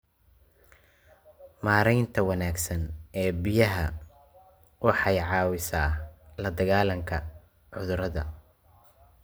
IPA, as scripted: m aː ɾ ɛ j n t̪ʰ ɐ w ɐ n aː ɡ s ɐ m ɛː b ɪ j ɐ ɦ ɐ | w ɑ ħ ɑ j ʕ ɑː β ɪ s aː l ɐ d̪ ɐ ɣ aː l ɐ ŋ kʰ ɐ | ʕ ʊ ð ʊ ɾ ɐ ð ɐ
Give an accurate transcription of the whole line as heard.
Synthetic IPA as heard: m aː ɾ ɛ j n t̪ʰ ɐ w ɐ n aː ɡ s ɐ n ɛː b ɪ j ɐ ɦ ɐ | w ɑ ħ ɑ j ʕ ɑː w ɪ s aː l ɐ d̪ ɐ ɣ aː l ɐ ŋ kʰ ɐ | ʕ ʊ ð ʊ ɾ ɐ ð ɐ